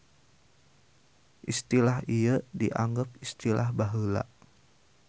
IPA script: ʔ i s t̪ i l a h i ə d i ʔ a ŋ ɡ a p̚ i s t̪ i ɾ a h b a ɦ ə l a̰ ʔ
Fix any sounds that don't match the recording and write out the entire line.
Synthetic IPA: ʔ i s t̪ i l a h i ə d i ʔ a ŋ ɡ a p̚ i s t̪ i l a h b a ɦ ə l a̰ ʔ